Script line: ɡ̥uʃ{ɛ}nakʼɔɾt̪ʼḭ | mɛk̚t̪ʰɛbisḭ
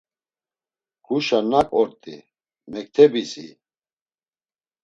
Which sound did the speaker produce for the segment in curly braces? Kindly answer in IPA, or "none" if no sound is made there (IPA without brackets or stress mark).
a